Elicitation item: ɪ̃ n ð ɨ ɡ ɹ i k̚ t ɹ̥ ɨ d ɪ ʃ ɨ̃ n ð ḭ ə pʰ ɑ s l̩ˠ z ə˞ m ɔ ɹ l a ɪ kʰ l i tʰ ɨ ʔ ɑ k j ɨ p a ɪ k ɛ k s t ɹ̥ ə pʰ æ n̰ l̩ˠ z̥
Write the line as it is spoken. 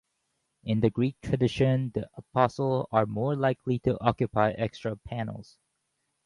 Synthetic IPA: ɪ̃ n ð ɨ ɡ ɹ i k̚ tʰ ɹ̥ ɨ d ɪ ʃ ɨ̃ n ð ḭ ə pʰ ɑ s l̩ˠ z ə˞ m ɔ ɹ l a ɪ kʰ l i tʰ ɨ ʔ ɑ k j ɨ p a ɪ ʔ ɛ k s t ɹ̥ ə pʰ æ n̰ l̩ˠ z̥